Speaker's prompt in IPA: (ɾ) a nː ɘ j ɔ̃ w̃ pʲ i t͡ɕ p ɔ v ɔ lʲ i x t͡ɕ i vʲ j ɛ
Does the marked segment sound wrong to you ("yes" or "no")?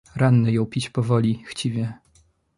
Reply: no